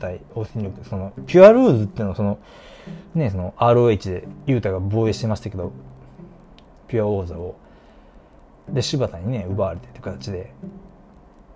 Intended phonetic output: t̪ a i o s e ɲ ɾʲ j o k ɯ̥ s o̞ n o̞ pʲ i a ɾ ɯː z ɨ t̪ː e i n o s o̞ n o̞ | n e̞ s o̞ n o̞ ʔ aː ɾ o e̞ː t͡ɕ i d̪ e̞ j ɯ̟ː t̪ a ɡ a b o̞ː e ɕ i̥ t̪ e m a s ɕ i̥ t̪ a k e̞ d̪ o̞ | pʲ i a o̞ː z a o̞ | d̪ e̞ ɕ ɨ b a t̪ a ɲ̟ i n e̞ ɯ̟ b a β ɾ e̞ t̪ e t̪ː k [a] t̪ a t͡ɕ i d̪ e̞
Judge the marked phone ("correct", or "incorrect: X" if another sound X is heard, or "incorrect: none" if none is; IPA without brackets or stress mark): correct